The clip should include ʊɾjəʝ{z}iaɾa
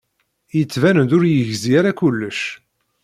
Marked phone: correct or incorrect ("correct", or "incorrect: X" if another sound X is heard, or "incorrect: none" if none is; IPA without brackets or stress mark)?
correct